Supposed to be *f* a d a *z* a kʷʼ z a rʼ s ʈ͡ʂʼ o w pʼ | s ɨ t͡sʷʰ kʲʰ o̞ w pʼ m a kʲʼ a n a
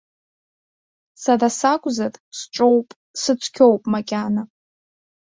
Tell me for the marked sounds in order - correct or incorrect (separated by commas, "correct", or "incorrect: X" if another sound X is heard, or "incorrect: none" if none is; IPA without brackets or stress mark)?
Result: incorrect: s, incorrect: s